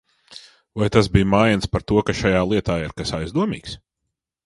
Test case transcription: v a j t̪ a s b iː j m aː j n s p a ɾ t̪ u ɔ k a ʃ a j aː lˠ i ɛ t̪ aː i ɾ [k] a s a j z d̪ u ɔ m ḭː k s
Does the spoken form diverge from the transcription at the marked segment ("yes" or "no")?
no